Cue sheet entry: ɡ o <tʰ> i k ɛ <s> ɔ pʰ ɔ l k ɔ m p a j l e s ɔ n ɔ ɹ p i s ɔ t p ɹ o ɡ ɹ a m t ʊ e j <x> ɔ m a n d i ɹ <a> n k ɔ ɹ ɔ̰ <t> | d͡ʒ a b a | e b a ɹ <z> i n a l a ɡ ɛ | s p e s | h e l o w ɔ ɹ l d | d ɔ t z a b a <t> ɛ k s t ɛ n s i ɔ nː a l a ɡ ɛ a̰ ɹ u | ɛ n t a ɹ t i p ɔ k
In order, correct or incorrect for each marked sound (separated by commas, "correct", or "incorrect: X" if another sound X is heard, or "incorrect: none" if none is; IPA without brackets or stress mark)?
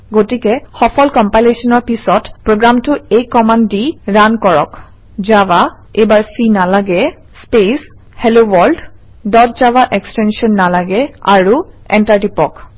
incorrect: t, incorrect: x, incorrect: k, correct, incorrect: k, incorrect: s, incorrect: ʔ